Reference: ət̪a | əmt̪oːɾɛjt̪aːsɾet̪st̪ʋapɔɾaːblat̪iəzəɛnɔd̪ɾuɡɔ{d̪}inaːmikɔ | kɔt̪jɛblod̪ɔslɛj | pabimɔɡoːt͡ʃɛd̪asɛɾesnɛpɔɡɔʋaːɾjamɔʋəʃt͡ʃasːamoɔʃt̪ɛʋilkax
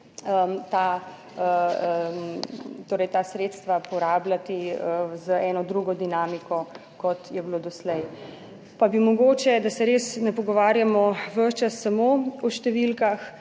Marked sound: correct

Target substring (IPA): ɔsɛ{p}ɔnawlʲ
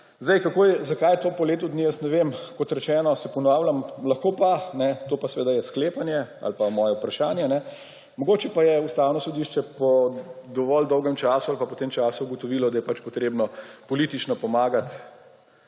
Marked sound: correct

